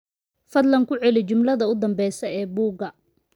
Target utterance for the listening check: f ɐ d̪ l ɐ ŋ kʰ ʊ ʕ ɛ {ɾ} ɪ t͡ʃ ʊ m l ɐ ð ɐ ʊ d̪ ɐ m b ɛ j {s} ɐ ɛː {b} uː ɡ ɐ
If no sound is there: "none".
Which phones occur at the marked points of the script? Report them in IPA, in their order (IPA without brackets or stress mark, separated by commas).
l, s, b